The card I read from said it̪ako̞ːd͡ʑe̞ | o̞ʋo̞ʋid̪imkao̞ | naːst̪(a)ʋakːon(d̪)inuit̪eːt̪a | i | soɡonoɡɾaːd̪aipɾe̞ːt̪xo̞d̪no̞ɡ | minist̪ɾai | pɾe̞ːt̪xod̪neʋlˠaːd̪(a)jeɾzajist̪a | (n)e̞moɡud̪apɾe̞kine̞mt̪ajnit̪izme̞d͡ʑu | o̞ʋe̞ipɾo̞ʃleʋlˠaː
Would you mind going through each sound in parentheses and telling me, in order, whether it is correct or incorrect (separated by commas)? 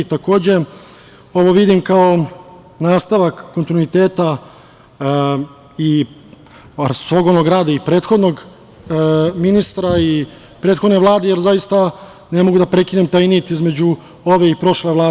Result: correct, incorrect, incorrect, correct